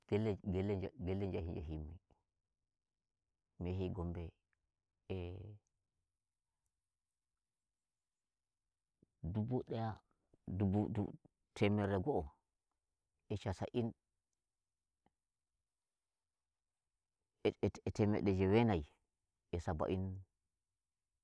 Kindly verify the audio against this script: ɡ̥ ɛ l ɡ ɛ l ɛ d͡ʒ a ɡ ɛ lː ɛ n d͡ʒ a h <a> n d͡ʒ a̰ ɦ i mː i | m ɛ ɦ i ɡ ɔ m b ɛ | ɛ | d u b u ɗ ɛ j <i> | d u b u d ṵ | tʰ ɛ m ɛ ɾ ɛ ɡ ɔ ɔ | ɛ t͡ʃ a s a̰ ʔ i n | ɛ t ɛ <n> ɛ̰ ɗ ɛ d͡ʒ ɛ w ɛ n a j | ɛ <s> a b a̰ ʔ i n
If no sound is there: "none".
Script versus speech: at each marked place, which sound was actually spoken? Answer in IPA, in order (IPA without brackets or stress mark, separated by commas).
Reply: i, a, m, s